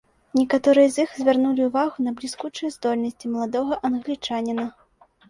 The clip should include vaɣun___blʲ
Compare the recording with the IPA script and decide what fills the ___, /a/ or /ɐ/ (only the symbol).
ɐ